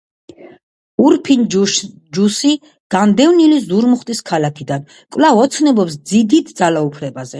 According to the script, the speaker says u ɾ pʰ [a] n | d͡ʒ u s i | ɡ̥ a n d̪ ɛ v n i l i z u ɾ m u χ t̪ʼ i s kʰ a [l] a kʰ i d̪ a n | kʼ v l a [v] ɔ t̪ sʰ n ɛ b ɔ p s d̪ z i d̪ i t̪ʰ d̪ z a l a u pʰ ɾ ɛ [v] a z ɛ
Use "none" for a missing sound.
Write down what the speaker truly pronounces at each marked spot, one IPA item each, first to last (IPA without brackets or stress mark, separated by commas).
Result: i, l, v, b